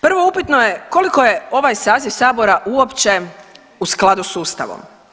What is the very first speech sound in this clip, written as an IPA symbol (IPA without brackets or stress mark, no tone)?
p